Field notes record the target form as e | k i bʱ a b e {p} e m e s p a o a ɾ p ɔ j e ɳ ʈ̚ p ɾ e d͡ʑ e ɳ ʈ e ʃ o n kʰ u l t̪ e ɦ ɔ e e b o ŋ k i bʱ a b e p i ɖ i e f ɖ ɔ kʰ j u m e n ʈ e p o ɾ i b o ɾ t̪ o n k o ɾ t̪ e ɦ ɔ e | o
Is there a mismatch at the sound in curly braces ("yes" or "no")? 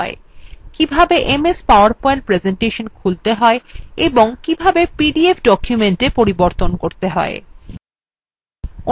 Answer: yes